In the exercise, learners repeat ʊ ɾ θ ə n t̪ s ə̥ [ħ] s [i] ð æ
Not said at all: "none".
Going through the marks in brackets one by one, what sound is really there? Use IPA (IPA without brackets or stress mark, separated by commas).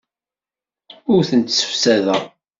f, æ